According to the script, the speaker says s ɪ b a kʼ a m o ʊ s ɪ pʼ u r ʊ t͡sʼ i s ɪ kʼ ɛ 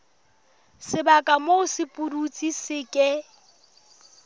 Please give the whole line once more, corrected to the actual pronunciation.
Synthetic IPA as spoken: s ɪ b a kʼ a m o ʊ s ɪ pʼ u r u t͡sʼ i s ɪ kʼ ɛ